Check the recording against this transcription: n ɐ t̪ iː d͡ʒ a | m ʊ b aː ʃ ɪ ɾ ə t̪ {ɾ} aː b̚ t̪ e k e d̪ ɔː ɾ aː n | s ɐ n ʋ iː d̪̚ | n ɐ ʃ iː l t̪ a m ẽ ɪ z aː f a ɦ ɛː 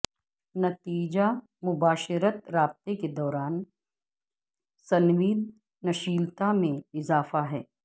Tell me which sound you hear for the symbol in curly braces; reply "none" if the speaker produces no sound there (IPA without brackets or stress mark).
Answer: ɾ